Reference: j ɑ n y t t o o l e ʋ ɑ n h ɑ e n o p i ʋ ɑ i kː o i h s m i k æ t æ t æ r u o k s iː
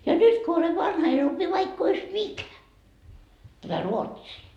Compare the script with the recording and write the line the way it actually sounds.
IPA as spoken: j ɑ n y t k o o l e ʋ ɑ n h ɑ e n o p i ʋ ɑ i kː o i s m i k æ t æ t æ r u o t s iː